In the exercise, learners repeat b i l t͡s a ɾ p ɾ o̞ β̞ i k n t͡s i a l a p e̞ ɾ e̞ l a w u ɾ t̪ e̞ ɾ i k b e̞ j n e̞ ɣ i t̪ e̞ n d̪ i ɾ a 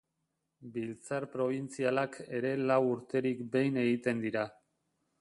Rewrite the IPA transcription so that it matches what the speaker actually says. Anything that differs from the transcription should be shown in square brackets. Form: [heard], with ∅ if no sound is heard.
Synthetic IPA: b i l t͡s a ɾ p ɾ o̞ β̞ i [∅] n t͡s i a l a [k] e̞ ɾ e̞ l a w u ɾ t̪ e̞ ɾ i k b e̞ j n e̞ ɣ i t̪ e̞ n d̪ i ɾ a